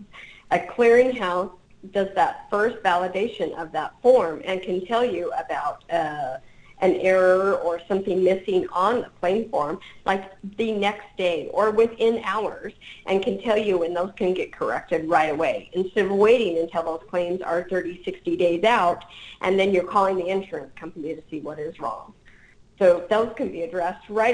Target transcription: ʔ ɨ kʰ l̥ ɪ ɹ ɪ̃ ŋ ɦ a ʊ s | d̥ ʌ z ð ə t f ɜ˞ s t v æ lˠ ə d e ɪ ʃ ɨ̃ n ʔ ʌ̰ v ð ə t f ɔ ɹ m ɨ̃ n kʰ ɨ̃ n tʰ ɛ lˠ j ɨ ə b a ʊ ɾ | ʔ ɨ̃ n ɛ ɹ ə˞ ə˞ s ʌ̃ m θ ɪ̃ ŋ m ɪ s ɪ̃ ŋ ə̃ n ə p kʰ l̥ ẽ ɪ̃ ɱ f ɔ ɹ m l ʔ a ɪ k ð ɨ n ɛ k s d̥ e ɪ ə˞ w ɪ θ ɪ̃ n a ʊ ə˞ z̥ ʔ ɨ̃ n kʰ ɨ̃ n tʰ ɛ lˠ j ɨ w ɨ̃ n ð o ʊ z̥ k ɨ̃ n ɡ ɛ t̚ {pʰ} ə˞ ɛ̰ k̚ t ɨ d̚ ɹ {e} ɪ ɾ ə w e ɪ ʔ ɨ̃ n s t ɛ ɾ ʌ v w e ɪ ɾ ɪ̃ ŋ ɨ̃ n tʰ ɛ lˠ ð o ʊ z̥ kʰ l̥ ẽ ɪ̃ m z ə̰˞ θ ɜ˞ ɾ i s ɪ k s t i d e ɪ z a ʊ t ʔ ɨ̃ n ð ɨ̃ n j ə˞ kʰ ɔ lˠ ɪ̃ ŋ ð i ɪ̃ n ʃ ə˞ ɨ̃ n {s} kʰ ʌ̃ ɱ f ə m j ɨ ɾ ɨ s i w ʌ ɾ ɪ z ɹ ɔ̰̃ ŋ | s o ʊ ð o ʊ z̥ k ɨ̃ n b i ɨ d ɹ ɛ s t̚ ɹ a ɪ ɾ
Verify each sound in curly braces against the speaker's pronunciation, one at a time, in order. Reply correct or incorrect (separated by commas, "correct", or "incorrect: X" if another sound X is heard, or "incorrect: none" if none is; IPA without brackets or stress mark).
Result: incorrect: kʰ, incorrect: a, correct